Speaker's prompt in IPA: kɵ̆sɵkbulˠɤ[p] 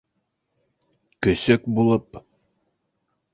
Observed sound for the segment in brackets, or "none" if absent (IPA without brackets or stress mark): p